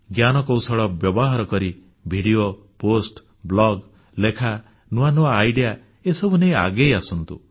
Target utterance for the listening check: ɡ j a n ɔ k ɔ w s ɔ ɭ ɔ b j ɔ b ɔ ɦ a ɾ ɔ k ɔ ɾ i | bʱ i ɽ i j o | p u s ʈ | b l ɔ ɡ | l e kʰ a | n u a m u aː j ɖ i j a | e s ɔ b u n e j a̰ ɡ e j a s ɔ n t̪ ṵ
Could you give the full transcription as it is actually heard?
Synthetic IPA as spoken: ɡ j a n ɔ k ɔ w s ɔ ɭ ɔ b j ɔ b ɔ ɦ a ɾ ɔ k ɔ ɾ i | bʱ i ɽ i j o | p o s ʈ | b l ɔ ɡ | l e kʰ a | n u a n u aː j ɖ i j a | e s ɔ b u n e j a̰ ɡ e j a s ɔ n t̪ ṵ

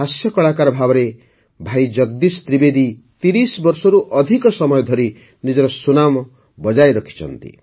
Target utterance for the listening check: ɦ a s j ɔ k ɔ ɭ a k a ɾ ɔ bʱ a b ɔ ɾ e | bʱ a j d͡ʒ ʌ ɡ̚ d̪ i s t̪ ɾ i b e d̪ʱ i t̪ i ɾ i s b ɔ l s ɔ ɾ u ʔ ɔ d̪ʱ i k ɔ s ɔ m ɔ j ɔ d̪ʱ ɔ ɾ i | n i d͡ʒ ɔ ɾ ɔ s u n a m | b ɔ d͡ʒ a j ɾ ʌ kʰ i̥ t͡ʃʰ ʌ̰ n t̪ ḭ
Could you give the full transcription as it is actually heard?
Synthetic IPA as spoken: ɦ a s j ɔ k ɔ ɭ a k a ɾ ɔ bʱ a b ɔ ɾ e | bʱ a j d͡ʒ ʌ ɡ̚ d̪ i s t̪ ɾ i b e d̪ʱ i t̪ i ɾ i s b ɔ ɾ s ɔ ɾ u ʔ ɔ d̪ʱ i k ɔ s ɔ m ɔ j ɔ d̪ʱ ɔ ɾ i | n i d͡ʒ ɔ ɾ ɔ s u n a m | b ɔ d͡ʒ a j ɾ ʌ kʰ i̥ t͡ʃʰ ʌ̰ n t̪ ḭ

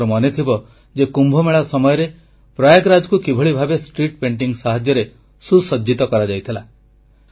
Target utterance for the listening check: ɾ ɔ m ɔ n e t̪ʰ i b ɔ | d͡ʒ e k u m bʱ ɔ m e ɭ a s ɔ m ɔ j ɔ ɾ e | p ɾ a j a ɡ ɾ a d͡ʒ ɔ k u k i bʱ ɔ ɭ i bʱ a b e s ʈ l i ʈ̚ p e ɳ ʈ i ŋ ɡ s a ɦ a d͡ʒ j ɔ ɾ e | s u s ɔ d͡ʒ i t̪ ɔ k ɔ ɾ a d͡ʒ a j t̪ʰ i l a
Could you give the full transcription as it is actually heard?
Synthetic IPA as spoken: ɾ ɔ m ɔ n e t̪ʰ i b ɔ | d͡ʒ e k u m bʱ ɔ m e ɭ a s ɔ m ɔ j ɔ ɾ e | p ɾ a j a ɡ ɾ a d͡ʒ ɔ k u k i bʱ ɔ ɭ i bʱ a b e s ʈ ɾ i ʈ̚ p e ɳ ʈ i ŋ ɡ s a ɦ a d͡ʒ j ɔ ɾ e | s u s ɔ d͡ʒ i t̪ ɔ k ɔ ɾ a d͡ʒ a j t̪ʰ i l a

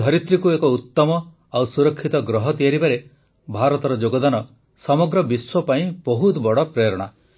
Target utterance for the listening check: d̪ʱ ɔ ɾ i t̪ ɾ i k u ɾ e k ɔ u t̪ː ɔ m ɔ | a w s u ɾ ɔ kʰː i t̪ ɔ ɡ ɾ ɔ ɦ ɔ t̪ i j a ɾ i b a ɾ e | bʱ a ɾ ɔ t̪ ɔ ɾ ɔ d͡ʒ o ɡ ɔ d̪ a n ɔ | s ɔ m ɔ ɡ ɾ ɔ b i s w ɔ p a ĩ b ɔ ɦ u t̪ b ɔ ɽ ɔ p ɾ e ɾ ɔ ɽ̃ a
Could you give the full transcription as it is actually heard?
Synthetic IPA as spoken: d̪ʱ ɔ ɾ i t̪ ɾ i k u e k ɔ u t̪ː ɔ m ɔ | a w s u ɾ ɔ kʰː i t̪ ɔ ɡ ɾ ɔ ɦ ɔ t̪ i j a ɾ i b a ɾ e | bʱ a ɾ ɔ t̪ ɔ ɾ ɔ d͡ʒ o ɡ ɔ d̪ a n ɔ | s ɔ m ɔ ɡ ɾ ɔ b i s w ɔ p a ĩ b ɔ ɦ u t̪ b ɔ ɽ ɔ p ɾ e ɾ ɔ ɽ̃ a

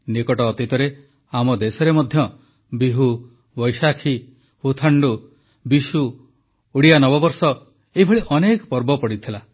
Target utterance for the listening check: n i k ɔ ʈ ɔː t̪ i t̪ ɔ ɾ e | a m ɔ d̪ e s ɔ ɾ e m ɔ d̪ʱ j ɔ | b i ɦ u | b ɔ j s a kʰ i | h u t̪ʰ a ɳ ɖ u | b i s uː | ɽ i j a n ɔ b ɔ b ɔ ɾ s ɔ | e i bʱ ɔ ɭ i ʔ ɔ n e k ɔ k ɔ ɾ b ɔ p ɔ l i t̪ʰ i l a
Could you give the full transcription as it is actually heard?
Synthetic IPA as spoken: n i k ɔ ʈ ɔː t̪ i t̪ ɔ ɾ e | a m ɔ d̪ e s ɔ ɾ e m ɔ d̪ʱ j ɔ | b i ɦ u | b ɔ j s a kʰ i | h u t̪ʰ a ɳ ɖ u | b i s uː | ɽ i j a n ɔ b ɔ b ɔ ɾ s ɔ | e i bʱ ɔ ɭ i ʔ ɔ n e k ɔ p ɔ ɾ b ɔ p ɔ ɽ i t̪ʰ i l a

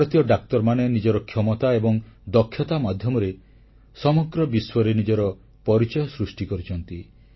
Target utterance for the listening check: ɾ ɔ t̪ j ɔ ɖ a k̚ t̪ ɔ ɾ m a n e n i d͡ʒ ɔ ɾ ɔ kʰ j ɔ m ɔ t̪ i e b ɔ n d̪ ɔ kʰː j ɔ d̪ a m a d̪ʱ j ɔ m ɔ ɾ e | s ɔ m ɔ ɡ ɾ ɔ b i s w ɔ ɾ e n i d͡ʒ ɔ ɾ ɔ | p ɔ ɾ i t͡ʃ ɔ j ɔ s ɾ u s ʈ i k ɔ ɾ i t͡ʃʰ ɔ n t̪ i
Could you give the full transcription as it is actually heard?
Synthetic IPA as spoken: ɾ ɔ t̪ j ɔ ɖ a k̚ t̪ ɔ ɾ m a n e n i d͡ʒ ɔ ɾ ɔ kʰ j ɔ m ɔ t̪ a e b ɔ ŋ d̪ ɔ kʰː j ɔ t̪ a m a d̪ʱ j ɔ m ɔ ɾ e | s ɔ m ɔ ɡ ɾ ɔ b i s w ɔ ɾ e n i d͡ʒ ɔ ɾ ɔ | p ɔ ɾ i t͡ʃ ɔ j ɔ s ɾ u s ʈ i k ɔ ɾ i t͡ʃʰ ɔ n t̪ i

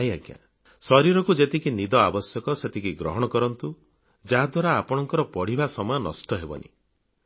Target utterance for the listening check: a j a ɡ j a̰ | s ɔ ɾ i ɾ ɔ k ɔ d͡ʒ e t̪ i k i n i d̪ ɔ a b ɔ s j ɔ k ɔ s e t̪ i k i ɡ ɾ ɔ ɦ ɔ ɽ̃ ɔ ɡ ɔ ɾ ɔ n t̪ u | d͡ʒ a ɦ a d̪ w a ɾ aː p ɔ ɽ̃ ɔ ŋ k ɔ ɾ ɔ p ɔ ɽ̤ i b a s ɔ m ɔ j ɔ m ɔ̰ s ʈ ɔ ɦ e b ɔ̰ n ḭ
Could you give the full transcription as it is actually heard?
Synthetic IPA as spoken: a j a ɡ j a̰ | s ɔ ɾ i ɾ ɔ k u d͡ʒ e t̪ i k i n i d̪ ɔ a b ɔ s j ɔ k ɔ s e t̪ i k i ɡ ɾ ɔ ɦ ɔ ɽ̃ ɔ k ɔ ɾ ɔ n t̪ u | d͡ʒ a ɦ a d̪ w a ɾ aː p ɔ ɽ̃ ɔ ŋ k ɔ ɾ ɔ p ɔ ɽ̤ i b a s ɔ m ɔ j ɔ n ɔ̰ s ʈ ɔ ɦ e b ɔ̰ n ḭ

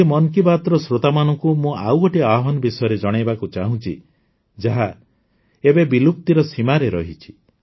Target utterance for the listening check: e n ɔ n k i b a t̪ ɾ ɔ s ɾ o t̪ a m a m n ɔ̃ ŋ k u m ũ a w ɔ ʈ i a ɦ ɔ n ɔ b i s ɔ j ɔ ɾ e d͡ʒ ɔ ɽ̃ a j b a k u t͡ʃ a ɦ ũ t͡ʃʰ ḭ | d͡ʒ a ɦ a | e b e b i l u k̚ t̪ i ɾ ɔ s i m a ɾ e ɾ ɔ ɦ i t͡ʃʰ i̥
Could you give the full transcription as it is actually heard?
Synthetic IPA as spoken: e m ɔ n k i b a t̪ ɾ ɔ s ɾ o t̪ a m a n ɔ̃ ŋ k u m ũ a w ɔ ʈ i a ɦ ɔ n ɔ b i s ɔ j ɔ ɾ e d͡ʒ ɔ ɽ̃ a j b a k u t͡ʃ a ɦ ũ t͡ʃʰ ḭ | d͡ʒ a ɦ a | e b e b i l u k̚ t̪ i ɾ ɔ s i m a ɾ e ɾ ɔ ɦ i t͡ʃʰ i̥

